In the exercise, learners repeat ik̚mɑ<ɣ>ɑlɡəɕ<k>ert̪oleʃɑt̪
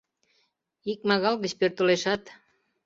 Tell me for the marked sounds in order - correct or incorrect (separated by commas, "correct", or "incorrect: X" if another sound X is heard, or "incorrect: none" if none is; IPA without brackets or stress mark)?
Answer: correct, incorrect: p